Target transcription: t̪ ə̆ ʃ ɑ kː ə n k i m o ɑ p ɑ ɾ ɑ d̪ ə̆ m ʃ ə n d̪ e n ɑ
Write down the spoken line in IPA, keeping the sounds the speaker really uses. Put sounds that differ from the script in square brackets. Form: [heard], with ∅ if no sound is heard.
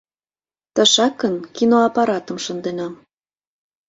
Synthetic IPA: t̪ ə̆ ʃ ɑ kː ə n k i [n] o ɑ p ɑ ɾ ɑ [t̪] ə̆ m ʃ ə n d̪ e n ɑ